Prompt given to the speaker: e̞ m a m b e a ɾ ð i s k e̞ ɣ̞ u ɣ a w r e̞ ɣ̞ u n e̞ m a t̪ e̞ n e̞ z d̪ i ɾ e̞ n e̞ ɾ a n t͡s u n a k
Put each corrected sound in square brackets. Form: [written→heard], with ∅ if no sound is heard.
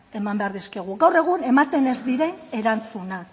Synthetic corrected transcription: e̞ m a m b e a ɾ ð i s k e̞ ɣ̞ u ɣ a w r e̞ ɣ̞ u n e̞ m a t̪ e̞ n e̞ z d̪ i ɾ e̞ n e̞ ɾ a n t͡s u n a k